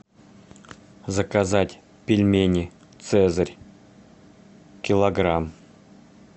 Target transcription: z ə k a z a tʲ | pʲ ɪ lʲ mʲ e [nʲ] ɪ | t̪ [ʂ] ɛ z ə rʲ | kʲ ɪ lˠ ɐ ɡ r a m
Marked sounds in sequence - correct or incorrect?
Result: correct, incorrect: s

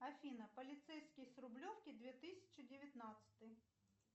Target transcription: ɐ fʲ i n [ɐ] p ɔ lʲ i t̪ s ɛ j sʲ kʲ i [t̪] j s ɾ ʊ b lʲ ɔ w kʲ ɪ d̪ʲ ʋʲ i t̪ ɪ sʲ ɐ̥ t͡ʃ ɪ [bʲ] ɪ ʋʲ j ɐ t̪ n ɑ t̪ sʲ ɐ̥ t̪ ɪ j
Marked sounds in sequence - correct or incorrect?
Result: correct, incorrect: none, incorrect: dʲ

